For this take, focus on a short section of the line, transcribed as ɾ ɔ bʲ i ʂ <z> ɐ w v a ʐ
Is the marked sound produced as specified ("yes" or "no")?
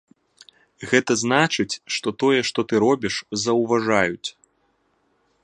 yes